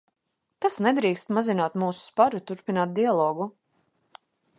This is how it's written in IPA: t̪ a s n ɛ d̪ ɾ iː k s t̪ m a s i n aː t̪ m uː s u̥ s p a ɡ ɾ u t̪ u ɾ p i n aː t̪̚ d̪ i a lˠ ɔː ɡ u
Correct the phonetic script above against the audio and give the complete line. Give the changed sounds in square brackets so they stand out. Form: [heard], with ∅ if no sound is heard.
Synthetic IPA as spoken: t̪ a s n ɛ d̪ ɾ iː k s t̪ m a [z] i n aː t̪ m uː s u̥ s p a [∅] ɾ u t̪ u ɾ p i n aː t̪̚ d̪ i a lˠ ɔː ɡ u

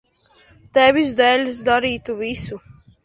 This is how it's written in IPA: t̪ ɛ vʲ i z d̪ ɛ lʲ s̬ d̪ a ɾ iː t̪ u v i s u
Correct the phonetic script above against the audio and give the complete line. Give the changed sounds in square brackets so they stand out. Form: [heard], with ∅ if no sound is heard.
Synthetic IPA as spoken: t̪ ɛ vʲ i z d̪ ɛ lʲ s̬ d̪ a ɾ iː t̪ u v i s u

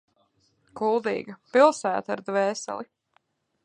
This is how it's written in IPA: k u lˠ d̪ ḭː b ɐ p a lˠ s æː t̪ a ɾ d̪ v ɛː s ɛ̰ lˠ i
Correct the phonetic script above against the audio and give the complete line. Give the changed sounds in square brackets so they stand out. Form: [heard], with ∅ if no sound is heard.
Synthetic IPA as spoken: k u lˠ d̪ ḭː [ɡ] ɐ p [i] lˠ s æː t̪ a ɾ d̪ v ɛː s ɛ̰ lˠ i

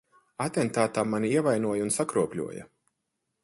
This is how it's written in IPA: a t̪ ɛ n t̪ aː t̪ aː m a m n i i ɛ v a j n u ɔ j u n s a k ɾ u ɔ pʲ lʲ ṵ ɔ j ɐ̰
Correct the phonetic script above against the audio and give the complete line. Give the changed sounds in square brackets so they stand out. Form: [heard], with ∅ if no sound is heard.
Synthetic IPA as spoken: a t̪ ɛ n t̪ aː t̪ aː m a [∅] n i i ɛ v a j n u ɔ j u n s a k ɾ u ɔ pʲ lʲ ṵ ɔ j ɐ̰

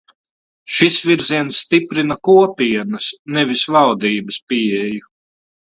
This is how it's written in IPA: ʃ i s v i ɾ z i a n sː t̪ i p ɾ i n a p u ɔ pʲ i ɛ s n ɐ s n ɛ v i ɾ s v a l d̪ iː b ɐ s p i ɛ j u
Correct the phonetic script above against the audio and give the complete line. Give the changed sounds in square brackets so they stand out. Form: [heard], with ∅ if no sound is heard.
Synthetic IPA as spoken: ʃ i s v i ɾ z i [ɛ] n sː t̪ i p ɾ i n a [k] u ɔ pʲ i ɛ [∅] n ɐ s n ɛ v i [∅] s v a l d̪ iː b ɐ s p i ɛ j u

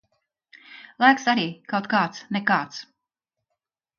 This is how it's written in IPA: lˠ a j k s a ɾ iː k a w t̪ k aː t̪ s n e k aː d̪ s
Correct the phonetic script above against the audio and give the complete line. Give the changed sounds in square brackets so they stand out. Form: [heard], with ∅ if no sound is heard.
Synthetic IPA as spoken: lˠ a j k s a ɾ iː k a w t̪ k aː t̪ s n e k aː [t̪] s

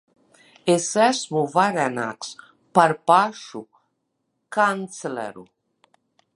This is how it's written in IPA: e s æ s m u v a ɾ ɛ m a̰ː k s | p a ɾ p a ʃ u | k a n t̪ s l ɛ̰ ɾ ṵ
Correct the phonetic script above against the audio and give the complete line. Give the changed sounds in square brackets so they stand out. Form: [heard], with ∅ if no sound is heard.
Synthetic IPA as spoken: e s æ s m u v a ɾ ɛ [n] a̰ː k s | p a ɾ p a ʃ u | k a n t̪ s l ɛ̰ ɾ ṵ

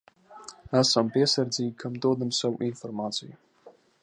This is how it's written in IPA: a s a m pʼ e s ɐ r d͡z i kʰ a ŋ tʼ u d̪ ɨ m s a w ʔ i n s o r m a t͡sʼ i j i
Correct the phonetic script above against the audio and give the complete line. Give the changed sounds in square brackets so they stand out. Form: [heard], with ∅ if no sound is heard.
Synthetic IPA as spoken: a s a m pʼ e s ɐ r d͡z i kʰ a [m] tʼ [o] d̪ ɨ m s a w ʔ i n [f] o r m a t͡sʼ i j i

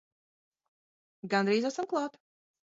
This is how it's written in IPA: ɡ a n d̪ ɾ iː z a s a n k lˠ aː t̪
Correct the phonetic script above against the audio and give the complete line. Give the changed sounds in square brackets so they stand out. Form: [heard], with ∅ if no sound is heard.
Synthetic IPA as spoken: ɡ a n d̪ ɾ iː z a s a [m] k lˠ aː t̪

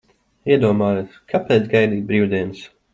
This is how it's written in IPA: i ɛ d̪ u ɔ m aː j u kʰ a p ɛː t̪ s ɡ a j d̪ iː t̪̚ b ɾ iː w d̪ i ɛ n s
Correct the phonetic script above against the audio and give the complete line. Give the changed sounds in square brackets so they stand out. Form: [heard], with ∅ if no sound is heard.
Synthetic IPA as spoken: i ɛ d̪ u ɔ m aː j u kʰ a p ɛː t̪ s ɡ a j d̪ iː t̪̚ b ɾ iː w d̪ i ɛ n s

